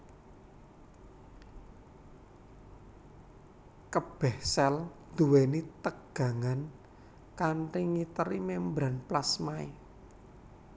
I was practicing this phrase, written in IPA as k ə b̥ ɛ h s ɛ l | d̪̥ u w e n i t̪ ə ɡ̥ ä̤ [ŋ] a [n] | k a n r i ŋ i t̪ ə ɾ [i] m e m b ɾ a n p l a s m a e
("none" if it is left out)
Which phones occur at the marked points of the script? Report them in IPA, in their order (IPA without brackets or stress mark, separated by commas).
ŋ, n, i